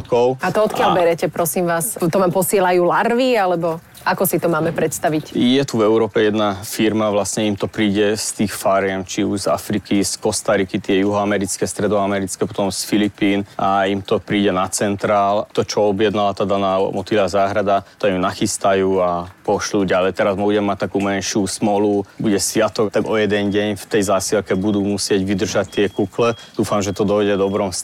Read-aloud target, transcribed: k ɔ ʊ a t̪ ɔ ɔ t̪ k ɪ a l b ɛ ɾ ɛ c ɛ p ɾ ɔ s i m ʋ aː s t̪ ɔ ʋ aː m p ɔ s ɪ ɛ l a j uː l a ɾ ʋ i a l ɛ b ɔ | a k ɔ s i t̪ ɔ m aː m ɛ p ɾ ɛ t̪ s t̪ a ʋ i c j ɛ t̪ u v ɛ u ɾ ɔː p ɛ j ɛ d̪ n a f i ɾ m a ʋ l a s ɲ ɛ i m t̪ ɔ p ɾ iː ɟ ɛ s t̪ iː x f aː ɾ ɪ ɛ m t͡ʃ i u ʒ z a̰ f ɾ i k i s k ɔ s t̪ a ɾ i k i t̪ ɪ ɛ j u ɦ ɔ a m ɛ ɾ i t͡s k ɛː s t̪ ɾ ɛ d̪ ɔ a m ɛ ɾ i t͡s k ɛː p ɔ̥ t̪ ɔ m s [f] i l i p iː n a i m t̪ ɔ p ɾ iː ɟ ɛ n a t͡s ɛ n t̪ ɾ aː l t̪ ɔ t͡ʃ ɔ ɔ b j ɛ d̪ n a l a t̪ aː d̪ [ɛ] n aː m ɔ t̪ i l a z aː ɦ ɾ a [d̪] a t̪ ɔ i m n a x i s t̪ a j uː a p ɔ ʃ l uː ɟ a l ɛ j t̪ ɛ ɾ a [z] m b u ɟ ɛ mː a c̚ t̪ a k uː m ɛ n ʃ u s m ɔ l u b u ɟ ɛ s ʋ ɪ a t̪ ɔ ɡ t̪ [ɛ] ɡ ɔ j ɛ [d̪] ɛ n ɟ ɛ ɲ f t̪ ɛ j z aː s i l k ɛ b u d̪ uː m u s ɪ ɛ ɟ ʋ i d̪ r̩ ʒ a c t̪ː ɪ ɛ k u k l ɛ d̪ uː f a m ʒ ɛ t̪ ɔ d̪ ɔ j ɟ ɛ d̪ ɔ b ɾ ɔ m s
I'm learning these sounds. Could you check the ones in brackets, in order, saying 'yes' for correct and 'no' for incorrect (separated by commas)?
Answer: yes, no, yes, yes, no, yes